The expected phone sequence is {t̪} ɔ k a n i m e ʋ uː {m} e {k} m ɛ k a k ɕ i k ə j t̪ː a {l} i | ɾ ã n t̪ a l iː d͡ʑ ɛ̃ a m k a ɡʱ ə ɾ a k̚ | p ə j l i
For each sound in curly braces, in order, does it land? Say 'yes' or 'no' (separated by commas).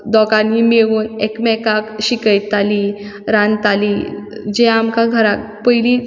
no, no, yes, yes